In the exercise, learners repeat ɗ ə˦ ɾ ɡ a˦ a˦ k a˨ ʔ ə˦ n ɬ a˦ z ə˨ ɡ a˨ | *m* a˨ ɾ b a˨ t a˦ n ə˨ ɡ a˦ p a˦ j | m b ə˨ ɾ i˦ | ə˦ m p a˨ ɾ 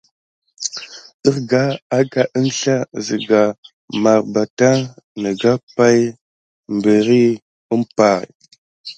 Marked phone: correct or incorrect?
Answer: correct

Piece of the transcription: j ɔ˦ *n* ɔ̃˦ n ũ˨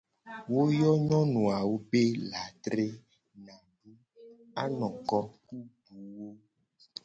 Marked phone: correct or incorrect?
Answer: incorrect: ɲ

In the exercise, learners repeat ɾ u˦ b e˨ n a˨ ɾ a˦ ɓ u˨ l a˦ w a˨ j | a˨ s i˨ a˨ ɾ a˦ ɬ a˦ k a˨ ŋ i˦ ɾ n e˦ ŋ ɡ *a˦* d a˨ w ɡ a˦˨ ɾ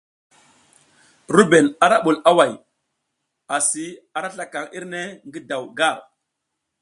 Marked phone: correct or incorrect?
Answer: incorrect: i˦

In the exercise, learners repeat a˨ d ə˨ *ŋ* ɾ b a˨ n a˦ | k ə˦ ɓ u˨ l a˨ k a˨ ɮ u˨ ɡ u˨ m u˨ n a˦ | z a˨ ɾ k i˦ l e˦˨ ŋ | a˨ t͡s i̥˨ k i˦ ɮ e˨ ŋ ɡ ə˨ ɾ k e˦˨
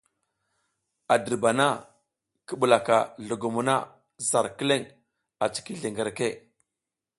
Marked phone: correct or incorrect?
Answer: incorrect: none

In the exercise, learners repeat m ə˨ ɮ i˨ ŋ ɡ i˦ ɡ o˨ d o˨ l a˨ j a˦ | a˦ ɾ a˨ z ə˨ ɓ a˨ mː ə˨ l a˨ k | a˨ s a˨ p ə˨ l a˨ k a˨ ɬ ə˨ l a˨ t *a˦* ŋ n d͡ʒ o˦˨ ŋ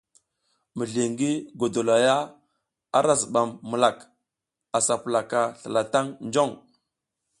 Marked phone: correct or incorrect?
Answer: correct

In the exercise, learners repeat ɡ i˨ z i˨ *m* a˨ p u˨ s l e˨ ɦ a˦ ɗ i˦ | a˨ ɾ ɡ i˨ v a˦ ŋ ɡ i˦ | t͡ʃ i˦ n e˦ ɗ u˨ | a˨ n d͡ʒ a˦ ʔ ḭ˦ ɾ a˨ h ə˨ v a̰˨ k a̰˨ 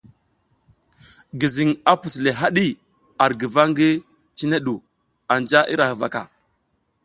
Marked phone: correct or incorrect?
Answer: incorrect: ŋ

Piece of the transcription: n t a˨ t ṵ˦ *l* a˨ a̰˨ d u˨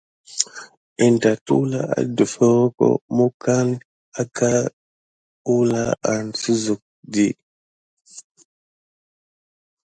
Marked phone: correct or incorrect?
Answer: correct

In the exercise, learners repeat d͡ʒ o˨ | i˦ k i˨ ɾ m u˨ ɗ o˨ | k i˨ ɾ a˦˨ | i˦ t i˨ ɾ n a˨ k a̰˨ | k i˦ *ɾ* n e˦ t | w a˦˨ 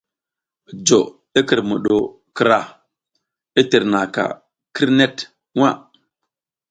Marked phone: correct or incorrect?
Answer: correct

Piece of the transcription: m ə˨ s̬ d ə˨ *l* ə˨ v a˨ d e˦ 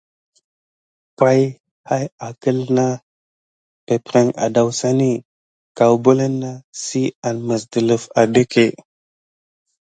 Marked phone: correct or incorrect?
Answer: correct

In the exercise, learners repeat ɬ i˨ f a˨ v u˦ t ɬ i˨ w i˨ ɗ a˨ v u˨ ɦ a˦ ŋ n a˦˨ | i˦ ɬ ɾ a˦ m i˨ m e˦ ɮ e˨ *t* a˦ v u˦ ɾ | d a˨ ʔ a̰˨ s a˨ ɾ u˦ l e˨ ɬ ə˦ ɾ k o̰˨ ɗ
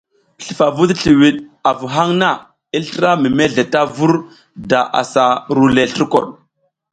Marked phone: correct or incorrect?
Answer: correct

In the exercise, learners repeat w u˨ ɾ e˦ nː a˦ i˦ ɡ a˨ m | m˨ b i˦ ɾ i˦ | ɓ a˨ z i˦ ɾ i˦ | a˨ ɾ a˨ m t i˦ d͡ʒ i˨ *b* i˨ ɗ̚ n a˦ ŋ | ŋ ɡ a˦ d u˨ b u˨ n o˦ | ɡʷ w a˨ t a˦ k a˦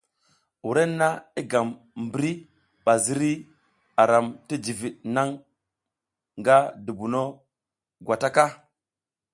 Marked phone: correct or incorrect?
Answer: incorrect: v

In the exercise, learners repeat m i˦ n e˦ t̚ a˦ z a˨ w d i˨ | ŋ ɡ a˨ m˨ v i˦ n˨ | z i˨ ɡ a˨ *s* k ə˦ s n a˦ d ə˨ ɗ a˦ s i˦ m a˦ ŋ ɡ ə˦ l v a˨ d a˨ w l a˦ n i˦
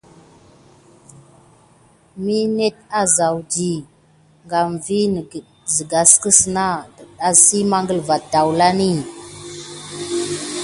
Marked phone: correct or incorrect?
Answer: correct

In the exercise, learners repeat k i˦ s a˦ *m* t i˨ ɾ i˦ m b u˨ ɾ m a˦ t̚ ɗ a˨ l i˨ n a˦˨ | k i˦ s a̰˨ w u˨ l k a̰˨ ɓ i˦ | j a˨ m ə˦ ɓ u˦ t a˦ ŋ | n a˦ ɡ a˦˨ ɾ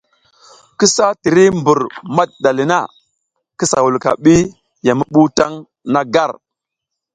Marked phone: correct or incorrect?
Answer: incorrect: none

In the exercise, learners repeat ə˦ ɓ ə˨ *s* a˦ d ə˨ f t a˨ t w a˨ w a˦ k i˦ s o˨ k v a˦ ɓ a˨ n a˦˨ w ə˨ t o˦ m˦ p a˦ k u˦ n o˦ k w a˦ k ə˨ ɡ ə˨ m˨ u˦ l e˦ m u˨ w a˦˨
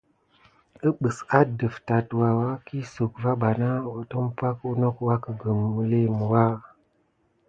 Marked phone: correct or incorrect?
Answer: correct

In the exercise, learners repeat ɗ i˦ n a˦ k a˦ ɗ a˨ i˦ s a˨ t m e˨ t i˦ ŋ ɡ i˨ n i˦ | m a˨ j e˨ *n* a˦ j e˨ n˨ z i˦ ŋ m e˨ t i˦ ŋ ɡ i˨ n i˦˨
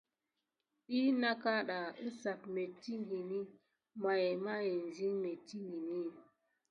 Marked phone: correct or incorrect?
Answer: incorrect: m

